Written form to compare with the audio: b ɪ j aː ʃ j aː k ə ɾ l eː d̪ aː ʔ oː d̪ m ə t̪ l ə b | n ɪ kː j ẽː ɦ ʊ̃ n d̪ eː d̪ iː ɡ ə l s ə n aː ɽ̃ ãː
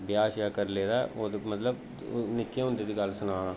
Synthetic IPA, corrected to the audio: b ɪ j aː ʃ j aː k ə ɾ l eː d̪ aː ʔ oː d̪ m ə t̪ l ə b | n ɪ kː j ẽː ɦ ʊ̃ n d̪ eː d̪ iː ɡ ə l s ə n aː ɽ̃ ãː